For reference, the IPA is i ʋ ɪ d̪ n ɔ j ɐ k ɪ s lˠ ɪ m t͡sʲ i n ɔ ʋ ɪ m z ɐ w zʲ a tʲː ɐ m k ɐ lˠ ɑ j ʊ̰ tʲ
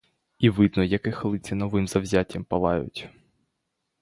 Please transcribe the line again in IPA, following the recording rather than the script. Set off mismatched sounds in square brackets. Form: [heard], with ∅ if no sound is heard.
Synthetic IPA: i ʋ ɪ d̪ n ɔ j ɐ k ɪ [x] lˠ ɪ [∅] t͡sʲ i n ɔ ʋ ɪ m z ɐ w zʲ a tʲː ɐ m [p] ɐ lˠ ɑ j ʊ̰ tʲ

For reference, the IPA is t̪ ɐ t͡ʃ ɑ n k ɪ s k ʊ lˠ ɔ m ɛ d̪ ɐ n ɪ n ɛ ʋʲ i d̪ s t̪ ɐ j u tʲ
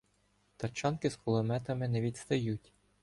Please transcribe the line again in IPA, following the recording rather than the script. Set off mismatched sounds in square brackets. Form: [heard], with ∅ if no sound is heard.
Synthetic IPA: t̪ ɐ t͡ʃ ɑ n k ɪ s k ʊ lˠ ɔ m ɛ [t̪] ɐ [m] ɪ n ɛ ʋʲ i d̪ s t̪ ɐ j u tʲ

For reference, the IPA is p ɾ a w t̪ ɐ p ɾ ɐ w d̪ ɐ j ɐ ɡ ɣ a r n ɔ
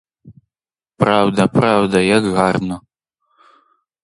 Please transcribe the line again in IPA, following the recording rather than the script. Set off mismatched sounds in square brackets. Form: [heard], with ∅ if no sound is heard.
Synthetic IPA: p ɾ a w [d̪] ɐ p ɾ [a] w d̪ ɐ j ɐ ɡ ɣ a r n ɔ

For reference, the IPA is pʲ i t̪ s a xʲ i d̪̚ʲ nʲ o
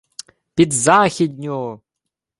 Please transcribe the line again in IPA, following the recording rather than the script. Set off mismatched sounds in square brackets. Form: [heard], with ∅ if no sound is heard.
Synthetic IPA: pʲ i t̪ [z] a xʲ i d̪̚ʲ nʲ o

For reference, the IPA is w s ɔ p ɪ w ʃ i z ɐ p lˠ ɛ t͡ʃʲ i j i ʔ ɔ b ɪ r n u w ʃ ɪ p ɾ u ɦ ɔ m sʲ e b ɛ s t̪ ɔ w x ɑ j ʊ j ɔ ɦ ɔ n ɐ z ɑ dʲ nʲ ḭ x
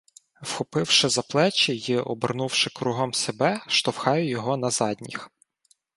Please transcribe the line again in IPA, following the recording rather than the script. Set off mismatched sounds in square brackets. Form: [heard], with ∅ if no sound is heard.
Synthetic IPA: w [x] ɔ p ɪ w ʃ [ɪ] z ɐ p lˠ ɛ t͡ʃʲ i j i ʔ ɔ b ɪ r n u w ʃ ɪ [k] ɾ u ɦ ɔ m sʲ e b ɛ [ʃ] t̪ ɔ w x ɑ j ʊ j ɔ ɦ ɔ n ɐ z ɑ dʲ nʲ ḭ x

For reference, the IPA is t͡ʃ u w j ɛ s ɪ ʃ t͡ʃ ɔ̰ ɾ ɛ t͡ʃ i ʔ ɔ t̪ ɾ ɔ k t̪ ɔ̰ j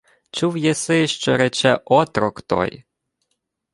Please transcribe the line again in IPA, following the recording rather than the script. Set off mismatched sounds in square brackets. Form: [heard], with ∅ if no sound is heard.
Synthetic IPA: t͡ʃ u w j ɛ s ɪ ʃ t͡ʃ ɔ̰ ɾ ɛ t͡ʃ [ɛ] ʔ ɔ t̪ ɾ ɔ k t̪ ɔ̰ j

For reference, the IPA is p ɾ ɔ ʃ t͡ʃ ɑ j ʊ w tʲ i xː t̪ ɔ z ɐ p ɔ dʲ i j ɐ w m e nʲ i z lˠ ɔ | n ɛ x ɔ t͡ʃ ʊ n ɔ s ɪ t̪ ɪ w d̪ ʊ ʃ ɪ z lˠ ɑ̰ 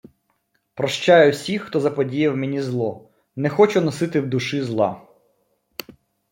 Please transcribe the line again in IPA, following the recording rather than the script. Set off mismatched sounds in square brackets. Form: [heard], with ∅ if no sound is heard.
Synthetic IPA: p ɾ ɔ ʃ t͡ʃ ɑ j ʊ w [sʲ] i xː t̪ ɔ z ɐ p ɔ dʲ i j ɐ w m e nʲ i z lˠ ɔ | n ɛ x ɔ t͡ʃ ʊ n ɔ s ɪ t̪ ɪ w d̪ ʊ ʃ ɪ z lˠ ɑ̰

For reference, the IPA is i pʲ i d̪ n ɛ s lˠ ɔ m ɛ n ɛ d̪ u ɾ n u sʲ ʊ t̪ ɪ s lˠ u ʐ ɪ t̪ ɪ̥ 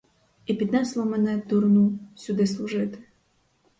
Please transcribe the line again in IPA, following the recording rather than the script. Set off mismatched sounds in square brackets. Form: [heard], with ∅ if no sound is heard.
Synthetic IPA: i pʲ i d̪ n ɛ s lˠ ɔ m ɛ n ɛ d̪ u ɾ n u sʲ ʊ [d̪] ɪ s lˠ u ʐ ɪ t̪ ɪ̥

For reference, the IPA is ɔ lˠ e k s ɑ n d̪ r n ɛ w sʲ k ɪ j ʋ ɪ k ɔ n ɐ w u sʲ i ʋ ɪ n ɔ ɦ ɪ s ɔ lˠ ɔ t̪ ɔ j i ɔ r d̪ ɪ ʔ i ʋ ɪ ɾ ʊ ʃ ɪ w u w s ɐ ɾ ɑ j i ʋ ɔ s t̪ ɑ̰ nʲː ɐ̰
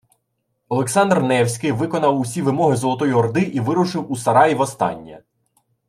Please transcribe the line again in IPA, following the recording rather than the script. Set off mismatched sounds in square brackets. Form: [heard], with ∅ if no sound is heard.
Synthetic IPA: ɔ lˠ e k s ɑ n d̪ r n ɛ w sʲ k ɪ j ʋ ɪ k ɔ n ɐ w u sʲ i ʋ ɪ [m] ɔ ɦ ɪ [z] ɔ lˠ ɔ t̪ ɔ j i ɔ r d̪ ɪ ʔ i ʋ ɪ ɾ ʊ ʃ ɪ w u [∅] s ɐ ɾ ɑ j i ʋ ɔ s t̪ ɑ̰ nʲː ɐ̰

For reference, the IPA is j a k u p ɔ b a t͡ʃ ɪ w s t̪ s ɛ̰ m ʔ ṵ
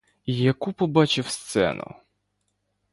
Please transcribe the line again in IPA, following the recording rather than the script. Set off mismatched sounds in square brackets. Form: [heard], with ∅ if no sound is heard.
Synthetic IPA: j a k u p ɔ b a t͡ʃ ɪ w s t̪ s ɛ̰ [n] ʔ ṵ

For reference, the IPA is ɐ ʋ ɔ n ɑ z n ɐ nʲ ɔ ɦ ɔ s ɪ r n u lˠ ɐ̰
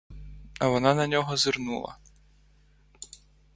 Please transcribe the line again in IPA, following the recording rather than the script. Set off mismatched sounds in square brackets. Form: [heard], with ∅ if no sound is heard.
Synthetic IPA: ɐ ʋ ɔ n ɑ [∅] n ɐ nʲ ɔ ɦ ɔ [z] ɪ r n u lˠ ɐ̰

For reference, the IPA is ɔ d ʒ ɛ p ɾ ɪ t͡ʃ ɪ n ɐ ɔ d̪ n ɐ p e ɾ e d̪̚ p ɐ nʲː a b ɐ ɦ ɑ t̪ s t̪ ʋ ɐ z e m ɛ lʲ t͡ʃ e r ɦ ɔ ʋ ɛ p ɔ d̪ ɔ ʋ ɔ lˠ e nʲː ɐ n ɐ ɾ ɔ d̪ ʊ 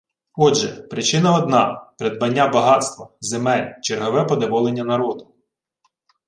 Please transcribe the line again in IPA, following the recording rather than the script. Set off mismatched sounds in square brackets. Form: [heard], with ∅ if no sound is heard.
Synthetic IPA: ɔ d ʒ ɛ p ɾ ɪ t͡ʃ ɪ n ɐ ɔ d̪ n [ɑ] p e ɾ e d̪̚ [b] ɐ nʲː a b ɐ ɦ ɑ t̪ s t̪ ʋ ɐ z e m ɛ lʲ t͡ʃ e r ɦ ɔ ʋ ɛ p ɔ d̪ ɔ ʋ ɔ lˠ e nʲː ɐ n ɐ ɾ ɔ d̪ ʊ

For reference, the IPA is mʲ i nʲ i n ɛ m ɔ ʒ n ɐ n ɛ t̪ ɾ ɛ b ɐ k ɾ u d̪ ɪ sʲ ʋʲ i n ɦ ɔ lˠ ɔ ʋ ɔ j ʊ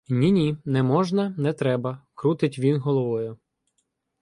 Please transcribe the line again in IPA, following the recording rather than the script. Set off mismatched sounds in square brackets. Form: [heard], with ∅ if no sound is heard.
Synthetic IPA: [nʲ] i nʲ i n ɛ m ɔ ʒ n ɐ n ɛ t̪ ɾ ɛ b ɐ k ɾ u [t̪] ɪ [tʲ] ʋʲ i n ɦ ɔ lˠ ɔ ʋ ɔ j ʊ

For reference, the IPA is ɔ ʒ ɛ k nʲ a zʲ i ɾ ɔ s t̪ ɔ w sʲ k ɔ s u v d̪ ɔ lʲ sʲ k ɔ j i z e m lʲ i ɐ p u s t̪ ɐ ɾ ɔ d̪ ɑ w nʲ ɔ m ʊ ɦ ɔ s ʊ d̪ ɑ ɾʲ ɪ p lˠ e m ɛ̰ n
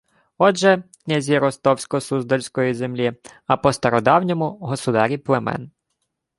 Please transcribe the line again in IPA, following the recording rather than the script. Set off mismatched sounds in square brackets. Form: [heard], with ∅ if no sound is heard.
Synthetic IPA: ɔ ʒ ɛ k nʲ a zʲ i ɾ ɔ s t̪ ɔ w sʲ k ɔ s u [z] d̪ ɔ lʲ sʲ k ɔ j i z e m lʲ i ɐ p [ɔ] s t̪ ɐ ɾ ɔ d̪ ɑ w nʲ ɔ m ʊ ɦ ɔ s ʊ d̪ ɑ ɾʲ [i] p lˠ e m ɛ̰ n

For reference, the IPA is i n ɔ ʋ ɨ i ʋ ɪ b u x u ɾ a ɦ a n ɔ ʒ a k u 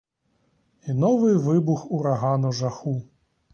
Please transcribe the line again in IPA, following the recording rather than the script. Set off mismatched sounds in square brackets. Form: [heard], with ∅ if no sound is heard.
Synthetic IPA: i n ɔ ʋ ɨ [j] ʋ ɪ b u x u ɾ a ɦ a n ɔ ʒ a [x] u

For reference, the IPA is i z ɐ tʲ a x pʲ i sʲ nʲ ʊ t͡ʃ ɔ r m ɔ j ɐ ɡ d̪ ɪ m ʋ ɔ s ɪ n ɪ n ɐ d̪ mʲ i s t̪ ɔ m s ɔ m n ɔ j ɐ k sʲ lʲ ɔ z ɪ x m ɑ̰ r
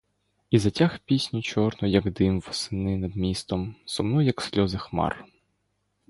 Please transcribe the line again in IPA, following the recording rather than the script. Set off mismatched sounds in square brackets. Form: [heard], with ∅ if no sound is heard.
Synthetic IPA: i z ɐ tʲ a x pʲ i sʲ nʲ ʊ t͡ʃ ɔ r [n] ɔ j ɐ ɡ d̪ ɪ m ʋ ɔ s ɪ n ɪ n ɐ d̪ mʲ i s t̪ ɔ m s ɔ m n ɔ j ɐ k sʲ lʲ ɔ z ɪ x m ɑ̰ r

